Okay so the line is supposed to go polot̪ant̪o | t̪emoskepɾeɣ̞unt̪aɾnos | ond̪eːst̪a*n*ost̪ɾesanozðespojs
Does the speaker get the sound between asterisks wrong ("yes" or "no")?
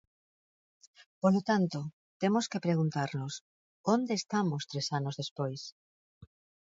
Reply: yes